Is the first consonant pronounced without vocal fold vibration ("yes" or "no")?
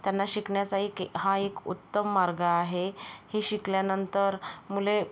yes